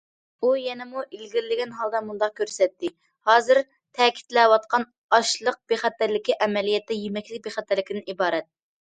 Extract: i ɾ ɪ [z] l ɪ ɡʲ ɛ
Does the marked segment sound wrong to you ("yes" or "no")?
yes